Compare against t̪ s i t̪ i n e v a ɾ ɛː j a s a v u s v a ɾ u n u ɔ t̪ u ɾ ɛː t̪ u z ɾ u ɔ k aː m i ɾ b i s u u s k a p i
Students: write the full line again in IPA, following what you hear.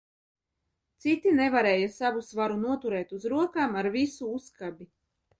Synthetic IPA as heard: t̪ s i t̪ i n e v a ɾ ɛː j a s a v u s v a ɾ u n u ɔ t̪ u ɾ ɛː t̪ u z ɾ u ɔ k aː m a ɾ v i s u u s k a b i